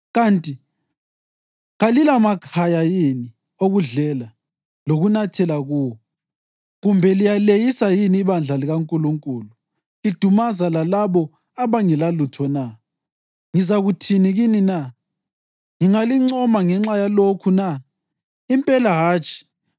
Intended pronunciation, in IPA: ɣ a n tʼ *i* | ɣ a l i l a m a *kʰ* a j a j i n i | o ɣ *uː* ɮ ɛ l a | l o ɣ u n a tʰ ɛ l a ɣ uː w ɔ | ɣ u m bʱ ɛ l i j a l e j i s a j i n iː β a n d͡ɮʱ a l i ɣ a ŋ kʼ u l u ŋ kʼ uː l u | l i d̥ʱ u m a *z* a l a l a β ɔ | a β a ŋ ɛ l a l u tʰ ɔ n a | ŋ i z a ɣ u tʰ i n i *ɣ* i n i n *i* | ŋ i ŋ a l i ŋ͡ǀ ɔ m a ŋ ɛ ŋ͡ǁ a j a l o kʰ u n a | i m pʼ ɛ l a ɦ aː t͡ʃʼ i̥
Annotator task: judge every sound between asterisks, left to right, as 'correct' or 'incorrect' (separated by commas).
correct, correct, incorrect, correct, correct, incorrect